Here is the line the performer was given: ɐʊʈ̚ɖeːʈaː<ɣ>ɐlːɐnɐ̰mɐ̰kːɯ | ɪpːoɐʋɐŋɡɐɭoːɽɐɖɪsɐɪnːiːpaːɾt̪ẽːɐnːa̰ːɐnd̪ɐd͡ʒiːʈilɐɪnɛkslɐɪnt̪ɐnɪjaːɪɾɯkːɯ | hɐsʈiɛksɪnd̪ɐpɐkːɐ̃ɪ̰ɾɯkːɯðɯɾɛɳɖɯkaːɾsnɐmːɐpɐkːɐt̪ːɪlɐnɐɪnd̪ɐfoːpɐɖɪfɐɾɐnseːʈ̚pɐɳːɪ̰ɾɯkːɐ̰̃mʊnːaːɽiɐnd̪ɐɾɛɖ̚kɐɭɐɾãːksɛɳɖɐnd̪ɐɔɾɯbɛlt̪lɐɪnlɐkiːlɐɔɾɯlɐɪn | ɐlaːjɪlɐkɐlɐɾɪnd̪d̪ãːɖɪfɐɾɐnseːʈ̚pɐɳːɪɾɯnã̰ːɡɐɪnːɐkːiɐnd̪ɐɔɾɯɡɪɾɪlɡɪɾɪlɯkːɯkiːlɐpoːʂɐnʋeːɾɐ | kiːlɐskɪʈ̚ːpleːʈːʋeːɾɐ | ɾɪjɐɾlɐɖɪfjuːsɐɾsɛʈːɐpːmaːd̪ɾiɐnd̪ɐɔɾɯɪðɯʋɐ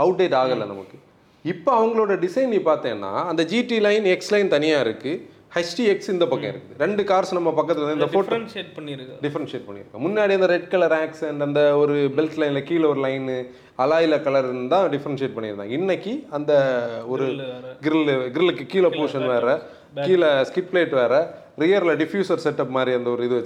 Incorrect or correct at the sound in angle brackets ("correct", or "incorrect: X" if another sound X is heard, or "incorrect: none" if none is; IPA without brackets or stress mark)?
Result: correct